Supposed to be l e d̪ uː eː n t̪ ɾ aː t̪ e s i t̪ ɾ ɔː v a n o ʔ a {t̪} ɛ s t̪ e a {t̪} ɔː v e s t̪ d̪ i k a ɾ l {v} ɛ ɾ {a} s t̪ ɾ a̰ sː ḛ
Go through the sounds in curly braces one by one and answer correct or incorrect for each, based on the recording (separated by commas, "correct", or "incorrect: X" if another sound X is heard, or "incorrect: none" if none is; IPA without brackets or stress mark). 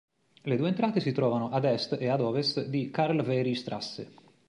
incorrect: d̪, incorrect: d̪, correct, incorrect: i